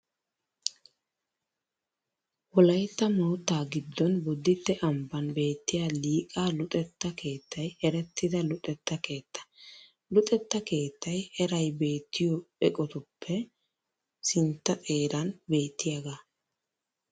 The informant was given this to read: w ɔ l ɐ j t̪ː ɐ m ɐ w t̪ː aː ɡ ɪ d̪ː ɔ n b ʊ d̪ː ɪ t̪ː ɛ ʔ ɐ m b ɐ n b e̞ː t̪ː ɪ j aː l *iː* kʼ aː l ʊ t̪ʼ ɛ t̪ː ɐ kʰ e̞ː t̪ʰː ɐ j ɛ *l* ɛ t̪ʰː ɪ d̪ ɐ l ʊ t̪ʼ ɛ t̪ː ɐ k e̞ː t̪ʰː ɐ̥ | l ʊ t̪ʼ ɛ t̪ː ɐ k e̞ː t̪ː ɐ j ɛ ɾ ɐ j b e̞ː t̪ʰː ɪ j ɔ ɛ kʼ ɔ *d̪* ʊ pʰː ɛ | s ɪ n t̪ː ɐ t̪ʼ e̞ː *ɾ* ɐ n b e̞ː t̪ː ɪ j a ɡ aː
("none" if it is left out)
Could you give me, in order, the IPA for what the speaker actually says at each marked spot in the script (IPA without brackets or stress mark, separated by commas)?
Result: iː, ɾ, t̪, ɾ